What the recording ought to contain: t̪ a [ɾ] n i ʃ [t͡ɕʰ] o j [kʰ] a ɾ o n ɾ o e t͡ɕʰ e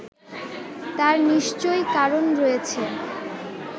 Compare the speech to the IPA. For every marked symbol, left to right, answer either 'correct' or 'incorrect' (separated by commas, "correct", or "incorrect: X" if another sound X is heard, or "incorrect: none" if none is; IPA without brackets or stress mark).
correct, incorrect: t͡ɕ, incorrect: k